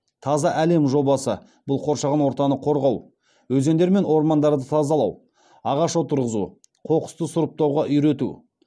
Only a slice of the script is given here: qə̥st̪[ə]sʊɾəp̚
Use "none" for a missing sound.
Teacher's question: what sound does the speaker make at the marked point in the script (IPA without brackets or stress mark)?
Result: ə